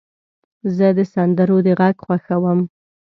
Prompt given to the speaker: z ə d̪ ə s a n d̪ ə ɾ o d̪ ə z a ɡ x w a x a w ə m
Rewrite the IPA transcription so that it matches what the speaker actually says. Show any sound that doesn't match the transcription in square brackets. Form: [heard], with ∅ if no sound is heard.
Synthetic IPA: z ə d̪ ə s a n d̪ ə ɾ o d̪ ə [ɣ] a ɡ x w a x a w ə m

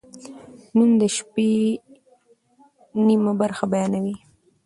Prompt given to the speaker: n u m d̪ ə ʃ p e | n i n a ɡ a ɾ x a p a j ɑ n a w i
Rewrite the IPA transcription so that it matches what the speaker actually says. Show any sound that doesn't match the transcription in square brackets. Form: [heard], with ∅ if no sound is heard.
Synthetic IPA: n u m d̪ ə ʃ p e | n i [m] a [b] a ɾ x a [b] a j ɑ n a w i

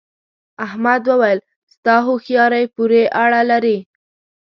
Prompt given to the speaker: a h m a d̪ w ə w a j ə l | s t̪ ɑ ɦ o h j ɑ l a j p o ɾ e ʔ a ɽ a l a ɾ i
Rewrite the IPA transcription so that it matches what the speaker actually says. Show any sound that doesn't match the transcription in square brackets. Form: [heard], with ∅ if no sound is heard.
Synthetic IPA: a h m a d̪ w ə w a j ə l | s t̪ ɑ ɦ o [x] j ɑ [ɾ] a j p [u] ɾ e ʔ a ɽ a l a ɾ i

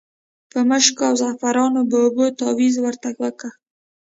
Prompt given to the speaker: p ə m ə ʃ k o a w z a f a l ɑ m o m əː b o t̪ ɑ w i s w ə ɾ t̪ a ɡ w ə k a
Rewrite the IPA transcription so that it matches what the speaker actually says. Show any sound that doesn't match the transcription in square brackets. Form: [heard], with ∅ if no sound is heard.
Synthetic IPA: p ə m ə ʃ k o a w z a f a [ɾ] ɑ [n] o [b] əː b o t̪ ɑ w i [z] w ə ɾ t̪ a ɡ w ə k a

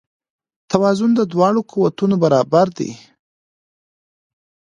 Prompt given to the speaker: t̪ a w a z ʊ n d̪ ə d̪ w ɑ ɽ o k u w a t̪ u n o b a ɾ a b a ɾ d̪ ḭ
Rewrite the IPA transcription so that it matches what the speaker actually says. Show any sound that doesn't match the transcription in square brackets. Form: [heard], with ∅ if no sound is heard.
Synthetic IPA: t̪ a w [ɑ] z ʊ n d̪ ə d̪ w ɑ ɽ o k u w a t̪ u n o b a ɾ [ɑ] b a ɾ d̪ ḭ

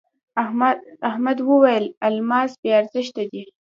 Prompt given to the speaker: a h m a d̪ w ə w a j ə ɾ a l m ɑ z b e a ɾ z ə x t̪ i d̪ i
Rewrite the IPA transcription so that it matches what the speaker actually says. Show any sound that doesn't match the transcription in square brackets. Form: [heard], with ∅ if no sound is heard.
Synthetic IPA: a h m a d̪ w ə w a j ə [l] a l m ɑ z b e a ɾ z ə [ʃ] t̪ [a] d̪ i

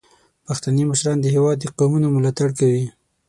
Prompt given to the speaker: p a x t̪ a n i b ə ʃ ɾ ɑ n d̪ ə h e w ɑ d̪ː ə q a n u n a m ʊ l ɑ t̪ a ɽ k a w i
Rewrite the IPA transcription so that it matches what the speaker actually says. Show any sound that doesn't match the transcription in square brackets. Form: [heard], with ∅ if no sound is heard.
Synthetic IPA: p a x t̪ a n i [m] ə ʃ ɾ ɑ n d̪ ə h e w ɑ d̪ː ə q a [m] u n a m ʊ l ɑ t̪ a ɽ k a w i

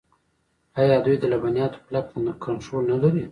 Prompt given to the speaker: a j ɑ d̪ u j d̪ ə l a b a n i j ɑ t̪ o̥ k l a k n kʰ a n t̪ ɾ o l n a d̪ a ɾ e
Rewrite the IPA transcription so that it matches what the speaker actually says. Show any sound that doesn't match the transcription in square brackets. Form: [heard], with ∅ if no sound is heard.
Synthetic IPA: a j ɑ d̪ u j d̪ ə l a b a n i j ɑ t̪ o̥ [p] l a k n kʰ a n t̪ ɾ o l n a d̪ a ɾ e

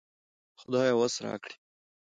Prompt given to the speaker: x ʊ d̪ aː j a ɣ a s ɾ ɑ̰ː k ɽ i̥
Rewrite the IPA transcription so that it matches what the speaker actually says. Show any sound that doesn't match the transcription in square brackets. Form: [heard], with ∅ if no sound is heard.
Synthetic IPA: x ʊ d̪ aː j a [w] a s ɾ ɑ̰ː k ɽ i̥

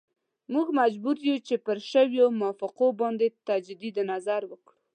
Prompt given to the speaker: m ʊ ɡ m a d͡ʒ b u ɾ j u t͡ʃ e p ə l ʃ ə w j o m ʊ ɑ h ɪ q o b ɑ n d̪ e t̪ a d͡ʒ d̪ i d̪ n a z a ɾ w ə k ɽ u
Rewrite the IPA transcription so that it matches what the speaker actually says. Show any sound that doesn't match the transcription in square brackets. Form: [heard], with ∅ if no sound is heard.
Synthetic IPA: m [u] ɡ m a d͡ʒ b u ɾ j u t͡ʃ e p ə [ɾ] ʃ ə w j o m ʊ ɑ [f] ɪ q o b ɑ n d̪ e t̪ a d͡ʒ d̪ i d̪ n a z a ɾ w ə k ɽ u

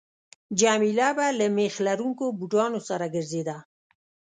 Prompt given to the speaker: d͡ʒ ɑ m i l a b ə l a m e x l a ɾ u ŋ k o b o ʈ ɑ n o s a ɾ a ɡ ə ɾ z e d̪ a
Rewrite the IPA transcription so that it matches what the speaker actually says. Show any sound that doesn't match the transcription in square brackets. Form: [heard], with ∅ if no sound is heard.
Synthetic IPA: d͡ʒ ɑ m i l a b [a] l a m e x l a ɾ u ŋ k o b [u] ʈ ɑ n o s a ɾ a ɡ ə ɾ z e d̪ a

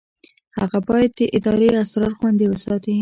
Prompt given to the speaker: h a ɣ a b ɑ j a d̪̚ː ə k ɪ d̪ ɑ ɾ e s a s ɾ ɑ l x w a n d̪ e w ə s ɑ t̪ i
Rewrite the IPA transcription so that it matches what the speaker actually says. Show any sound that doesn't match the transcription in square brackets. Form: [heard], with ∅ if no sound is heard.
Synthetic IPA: h a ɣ a b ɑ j a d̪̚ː ə [ʔ] ɪ d̪ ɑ ɾ e [∅] a s ɾ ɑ [ɾ] x w a n d̪ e w ə s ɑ t̪ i

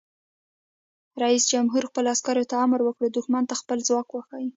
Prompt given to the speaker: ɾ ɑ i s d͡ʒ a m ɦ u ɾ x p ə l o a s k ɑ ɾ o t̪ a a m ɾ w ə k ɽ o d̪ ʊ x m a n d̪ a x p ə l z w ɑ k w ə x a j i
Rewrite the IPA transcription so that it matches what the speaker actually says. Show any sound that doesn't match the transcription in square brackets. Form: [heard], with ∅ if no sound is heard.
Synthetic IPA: ɾ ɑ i s d͡ʒ a m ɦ u ɾ x p ə l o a s k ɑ ɾ o t̪ a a m ɾ w ə k ɽ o d̪ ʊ x m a n [t̪] a x p ə l z w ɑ k w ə x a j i

